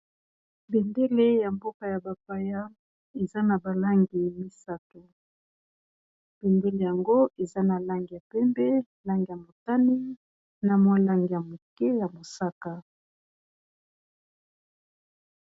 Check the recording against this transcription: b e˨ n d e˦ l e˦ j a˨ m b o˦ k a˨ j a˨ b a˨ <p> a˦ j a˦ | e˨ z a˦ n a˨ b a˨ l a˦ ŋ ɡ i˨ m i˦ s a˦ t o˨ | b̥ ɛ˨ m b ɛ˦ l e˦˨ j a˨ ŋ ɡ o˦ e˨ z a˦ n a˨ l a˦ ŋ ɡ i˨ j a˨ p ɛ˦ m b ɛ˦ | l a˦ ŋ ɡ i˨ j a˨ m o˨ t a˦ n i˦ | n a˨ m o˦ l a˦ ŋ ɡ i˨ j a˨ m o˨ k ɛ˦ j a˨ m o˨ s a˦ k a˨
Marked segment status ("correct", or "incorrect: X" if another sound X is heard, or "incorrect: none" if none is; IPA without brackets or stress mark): correct